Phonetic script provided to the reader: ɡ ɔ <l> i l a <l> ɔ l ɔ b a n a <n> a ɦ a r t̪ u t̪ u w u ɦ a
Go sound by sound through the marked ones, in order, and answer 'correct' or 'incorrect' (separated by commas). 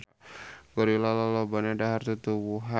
incorrect, correct, incorrect